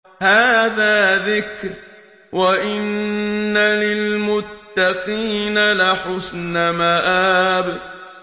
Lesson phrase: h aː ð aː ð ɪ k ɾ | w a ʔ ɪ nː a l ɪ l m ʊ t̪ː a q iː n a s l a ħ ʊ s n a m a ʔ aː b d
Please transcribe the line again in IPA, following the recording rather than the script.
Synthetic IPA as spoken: h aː ð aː ð ɪ k ɾ | w a ʔ ɪ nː a l ɪ l m ʊ t̪ː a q iː n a l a ħ ʊ s n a m a ʔ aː b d